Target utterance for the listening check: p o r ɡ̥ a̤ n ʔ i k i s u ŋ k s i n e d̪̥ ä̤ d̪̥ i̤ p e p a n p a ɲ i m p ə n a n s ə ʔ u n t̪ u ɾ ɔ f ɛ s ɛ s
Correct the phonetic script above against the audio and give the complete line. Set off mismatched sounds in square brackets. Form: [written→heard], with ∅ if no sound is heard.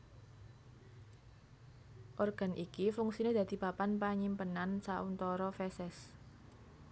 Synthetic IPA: [p→ʔ] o r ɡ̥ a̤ n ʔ i k i [s→f] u ŋ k s i n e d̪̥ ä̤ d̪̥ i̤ p [e→a] p a n p a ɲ i m p ə n a n s [ə→a] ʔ u n t̪ [u→ɔ] ɾ ɔ f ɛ s ɛ s